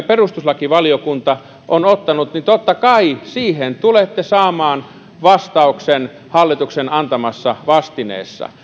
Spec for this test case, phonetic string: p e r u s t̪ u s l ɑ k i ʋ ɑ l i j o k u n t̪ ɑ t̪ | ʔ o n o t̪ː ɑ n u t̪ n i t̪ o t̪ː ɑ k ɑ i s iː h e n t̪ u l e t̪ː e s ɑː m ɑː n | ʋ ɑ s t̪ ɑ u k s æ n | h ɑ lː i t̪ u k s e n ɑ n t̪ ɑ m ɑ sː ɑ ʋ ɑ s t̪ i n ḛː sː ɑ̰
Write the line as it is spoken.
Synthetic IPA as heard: p e r u s t̪ u s l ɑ k i ʋ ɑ l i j o k u n t̪ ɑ | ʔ o n o t̪ː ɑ n u t̪ n i t̪ o t̪ː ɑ k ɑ i s iː h e n t̪ u l e t̪ː e s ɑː m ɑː n | ʋ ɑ s t̪ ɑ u k s e n | h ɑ lː i t̪ u k s e n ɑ n t̪ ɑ m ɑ sː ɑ ʋ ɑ s t̪ i n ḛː sː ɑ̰